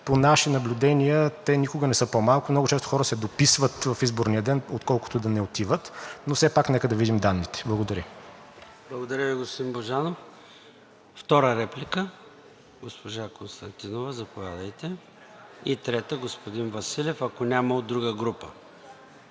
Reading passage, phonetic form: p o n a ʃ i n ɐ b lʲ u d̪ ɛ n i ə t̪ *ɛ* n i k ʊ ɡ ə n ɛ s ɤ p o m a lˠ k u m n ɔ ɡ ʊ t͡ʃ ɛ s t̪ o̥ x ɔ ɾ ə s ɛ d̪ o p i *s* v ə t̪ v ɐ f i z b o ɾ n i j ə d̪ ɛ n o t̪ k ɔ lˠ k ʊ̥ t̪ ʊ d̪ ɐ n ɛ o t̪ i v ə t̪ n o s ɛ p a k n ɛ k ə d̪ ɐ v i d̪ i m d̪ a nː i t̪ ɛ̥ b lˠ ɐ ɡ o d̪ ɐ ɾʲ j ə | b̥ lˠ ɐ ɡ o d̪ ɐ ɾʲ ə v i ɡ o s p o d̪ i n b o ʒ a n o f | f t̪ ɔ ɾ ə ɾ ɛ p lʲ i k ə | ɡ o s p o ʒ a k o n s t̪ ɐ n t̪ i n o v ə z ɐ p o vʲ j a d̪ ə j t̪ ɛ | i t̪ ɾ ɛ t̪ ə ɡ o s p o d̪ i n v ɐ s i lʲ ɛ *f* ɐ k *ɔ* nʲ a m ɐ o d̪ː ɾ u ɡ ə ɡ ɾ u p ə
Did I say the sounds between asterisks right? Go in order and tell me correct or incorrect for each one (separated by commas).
correct, correct, correct, incorrect